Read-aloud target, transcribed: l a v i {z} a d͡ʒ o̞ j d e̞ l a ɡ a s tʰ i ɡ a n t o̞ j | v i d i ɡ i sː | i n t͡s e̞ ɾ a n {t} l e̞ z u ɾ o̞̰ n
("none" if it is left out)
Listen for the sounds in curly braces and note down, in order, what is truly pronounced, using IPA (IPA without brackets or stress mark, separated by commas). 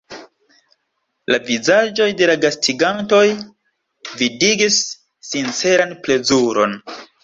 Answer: z, p